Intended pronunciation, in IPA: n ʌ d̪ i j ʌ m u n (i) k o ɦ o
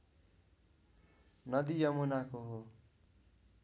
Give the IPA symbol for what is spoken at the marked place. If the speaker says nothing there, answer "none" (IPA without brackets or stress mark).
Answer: a